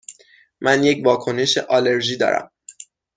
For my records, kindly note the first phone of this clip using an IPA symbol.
m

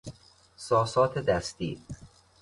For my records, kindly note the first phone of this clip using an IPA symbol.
s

